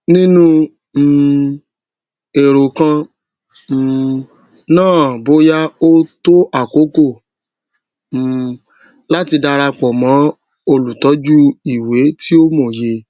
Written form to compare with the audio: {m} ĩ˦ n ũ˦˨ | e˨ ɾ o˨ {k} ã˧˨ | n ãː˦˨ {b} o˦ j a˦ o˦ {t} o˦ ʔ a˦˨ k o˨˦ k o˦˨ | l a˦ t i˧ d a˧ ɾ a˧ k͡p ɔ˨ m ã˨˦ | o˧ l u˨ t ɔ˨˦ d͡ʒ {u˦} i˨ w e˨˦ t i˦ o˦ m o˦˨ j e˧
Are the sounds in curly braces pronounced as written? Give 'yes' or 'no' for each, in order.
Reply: no, yes, yes, yes, yes

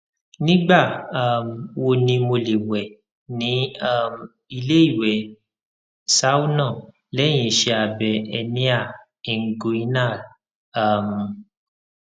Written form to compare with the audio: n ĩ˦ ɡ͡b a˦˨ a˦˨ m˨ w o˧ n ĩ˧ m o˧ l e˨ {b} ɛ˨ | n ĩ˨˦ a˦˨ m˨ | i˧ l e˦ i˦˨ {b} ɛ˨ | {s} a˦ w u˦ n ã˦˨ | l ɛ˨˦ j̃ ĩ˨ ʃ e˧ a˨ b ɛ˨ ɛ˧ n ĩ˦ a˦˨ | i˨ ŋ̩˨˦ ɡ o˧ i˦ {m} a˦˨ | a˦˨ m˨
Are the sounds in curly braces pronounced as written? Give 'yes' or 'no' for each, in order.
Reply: no, no, yes, no

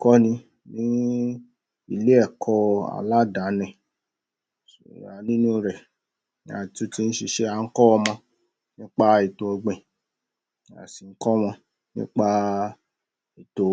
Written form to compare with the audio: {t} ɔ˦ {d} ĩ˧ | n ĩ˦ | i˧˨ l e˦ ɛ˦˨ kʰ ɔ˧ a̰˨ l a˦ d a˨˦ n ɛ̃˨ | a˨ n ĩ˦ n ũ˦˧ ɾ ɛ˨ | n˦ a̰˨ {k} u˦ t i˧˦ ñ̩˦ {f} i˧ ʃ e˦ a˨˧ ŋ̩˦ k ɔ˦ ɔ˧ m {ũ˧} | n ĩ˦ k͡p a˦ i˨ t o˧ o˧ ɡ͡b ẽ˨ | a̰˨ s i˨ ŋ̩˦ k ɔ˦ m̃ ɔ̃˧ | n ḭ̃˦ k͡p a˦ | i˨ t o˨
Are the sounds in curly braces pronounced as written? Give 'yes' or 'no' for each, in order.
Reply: no, no, no, no, no

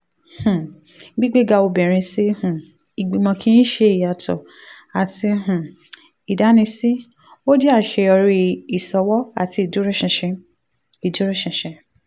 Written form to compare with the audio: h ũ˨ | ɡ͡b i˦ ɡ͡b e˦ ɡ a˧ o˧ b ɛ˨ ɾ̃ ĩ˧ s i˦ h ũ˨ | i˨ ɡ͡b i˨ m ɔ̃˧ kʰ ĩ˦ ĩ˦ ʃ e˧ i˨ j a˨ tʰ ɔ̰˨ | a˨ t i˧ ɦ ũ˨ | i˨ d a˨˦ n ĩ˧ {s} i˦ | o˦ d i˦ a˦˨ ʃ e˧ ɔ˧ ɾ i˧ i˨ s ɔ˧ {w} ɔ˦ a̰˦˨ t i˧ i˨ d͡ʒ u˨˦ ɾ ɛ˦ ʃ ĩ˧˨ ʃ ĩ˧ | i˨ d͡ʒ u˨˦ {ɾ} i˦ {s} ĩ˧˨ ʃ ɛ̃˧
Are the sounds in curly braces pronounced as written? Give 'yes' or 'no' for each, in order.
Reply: yes, yes, yes, no

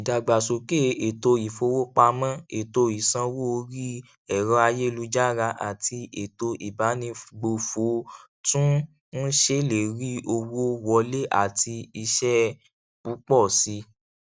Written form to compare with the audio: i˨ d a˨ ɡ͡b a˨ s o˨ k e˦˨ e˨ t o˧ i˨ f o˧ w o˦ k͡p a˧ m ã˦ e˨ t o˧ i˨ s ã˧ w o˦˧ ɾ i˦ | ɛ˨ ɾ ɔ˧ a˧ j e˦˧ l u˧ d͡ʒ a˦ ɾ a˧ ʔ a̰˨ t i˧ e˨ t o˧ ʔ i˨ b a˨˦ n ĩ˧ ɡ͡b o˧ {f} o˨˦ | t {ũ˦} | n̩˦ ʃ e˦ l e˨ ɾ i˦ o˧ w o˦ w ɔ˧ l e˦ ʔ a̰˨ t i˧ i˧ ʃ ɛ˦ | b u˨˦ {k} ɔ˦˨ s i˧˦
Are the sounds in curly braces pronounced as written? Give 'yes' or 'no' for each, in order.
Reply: yes, yes, no

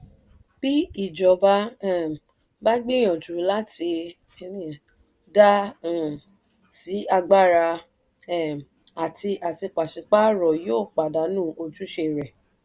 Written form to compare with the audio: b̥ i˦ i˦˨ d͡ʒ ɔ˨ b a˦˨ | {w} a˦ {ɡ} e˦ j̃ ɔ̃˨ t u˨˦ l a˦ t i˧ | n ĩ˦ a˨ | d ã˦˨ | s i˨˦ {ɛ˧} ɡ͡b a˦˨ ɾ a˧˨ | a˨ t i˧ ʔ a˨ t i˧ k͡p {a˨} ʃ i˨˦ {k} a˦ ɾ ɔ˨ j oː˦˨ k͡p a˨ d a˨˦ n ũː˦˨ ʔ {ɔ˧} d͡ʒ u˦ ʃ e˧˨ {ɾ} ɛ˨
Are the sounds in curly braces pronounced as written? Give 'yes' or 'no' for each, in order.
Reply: no, no, no, yes, no, no, yes

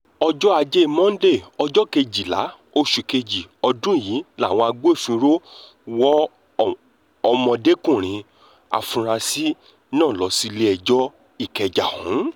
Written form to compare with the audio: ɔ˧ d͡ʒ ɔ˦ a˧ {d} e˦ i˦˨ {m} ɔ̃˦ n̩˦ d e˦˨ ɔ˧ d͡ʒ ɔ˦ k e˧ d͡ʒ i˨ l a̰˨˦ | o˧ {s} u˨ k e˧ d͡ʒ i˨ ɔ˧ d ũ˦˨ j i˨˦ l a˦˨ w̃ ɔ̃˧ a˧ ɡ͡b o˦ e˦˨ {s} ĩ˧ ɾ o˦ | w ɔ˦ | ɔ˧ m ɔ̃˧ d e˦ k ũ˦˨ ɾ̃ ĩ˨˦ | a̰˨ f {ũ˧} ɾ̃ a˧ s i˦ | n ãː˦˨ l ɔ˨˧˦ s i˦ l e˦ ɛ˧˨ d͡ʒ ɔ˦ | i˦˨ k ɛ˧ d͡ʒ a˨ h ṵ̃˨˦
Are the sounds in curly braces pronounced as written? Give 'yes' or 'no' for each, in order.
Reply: no, yes, no, no, yes

